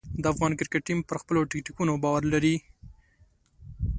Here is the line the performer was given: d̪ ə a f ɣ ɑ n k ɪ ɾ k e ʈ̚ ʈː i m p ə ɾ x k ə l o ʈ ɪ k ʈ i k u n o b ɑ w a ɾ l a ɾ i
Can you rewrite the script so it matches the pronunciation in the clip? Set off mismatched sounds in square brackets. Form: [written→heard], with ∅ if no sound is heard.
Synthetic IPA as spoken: d̪ ə a f ɣ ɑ n k ɪ ɾ k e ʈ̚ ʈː i m p ə ɾ x [k→p] ə l o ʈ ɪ k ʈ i k u n o b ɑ w a ɾ l a ɾ i